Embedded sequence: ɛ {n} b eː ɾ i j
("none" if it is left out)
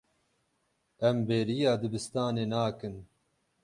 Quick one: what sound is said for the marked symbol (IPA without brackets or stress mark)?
m